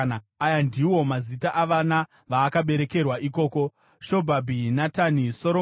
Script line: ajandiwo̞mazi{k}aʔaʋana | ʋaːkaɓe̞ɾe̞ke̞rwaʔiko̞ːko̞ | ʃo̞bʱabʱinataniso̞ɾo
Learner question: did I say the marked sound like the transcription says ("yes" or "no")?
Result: no